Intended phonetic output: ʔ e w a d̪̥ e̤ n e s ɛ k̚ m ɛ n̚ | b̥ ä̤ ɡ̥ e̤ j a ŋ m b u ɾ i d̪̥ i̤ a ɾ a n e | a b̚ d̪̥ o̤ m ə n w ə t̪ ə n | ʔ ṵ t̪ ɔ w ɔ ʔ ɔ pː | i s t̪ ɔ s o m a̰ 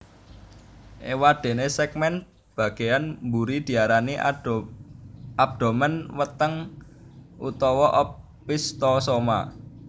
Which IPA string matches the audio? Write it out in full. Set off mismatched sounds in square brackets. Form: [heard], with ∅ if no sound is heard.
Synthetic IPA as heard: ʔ e w a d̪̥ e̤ n e s ɛ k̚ m ɛ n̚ | b̥ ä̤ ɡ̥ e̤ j a [n] m b u ɾ i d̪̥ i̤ a ɾ a n [i] | a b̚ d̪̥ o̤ m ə n w ə t̪ ə [ŋ] | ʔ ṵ t̪ ɔ w ɔ ʔ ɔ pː | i s t̪ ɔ s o m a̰